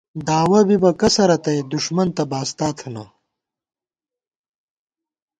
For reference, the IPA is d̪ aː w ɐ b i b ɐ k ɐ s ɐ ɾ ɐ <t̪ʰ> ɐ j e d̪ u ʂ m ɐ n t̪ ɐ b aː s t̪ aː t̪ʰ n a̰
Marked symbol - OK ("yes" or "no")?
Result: no